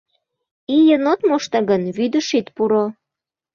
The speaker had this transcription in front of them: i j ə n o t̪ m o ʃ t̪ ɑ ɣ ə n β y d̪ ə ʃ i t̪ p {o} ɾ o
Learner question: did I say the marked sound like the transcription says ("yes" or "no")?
no